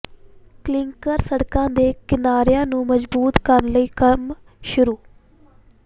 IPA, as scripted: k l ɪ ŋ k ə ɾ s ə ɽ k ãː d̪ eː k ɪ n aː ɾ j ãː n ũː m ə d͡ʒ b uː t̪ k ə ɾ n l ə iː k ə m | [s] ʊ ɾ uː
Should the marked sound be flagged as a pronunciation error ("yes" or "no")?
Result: yes